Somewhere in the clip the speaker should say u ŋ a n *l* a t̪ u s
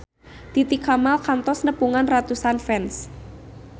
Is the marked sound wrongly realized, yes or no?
yes